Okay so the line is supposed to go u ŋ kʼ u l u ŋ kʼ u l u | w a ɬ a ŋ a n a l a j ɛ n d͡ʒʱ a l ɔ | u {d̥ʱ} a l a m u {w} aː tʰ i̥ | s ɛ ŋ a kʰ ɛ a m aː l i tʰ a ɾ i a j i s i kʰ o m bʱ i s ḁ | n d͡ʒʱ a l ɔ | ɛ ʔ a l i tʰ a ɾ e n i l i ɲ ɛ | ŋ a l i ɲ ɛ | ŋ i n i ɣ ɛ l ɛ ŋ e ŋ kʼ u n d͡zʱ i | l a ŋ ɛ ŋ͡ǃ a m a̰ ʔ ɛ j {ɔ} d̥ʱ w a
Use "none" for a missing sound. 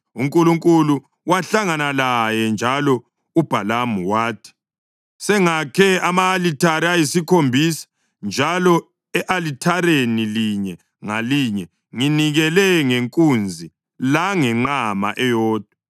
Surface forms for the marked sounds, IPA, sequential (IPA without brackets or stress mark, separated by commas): b̥ʱ, w, ɔː